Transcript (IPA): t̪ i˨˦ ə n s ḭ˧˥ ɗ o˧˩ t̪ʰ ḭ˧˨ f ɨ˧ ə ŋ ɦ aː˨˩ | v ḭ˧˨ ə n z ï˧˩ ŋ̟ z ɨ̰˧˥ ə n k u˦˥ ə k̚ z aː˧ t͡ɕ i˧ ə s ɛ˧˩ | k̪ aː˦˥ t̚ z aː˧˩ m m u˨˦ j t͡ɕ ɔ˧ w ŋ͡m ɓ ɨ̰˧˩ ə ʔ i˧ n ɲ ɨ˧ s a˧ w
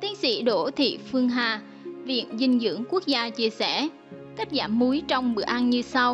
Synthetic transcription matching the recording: t̪ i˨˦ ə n s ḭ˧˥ ɗ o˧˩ t̪ʰ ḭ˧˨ f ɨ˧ ə ŋ ɦ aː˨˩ | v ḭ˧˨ ə n z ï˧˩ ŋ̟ z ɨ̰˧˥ ə ŋ k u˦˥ ə k̚ z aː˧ t͡ɕ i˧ ə s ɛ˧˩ | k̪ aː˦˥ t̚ z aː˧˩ m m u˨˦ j t͡ɕ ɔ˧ w ŋ͡m ɓ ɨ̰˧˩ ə ʔ a˧ n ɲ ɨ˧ s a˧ w